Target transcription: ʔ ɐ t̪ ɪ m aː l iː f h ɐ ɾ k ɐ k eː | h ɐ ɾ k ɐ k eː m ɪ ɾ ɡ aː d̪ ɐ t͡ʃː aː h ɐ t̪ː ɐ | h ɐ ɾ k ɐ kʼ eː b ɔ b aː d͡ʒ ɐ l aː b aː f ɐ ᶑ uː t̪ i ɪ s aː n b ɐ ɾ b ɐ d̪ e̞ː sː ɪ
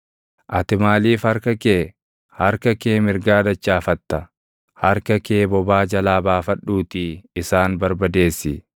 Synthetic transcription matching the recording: ʔ ɐ t̪ ɪ m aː l iː f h ɐ ɾ k ɐ k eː | h ɐ ɾ k ɐ k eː m ɪ ɾ ɡ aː d̪ ɐ t͡ʃː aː f ɐ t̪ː ɐ | h ɐ ɾ k ɐ k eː b ɔ b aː d͡ʒ ɐ l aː b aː f ɐ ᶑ uː t̪ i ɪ s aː n b ɐ ɾ b ɐ d̪ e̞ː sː ɪ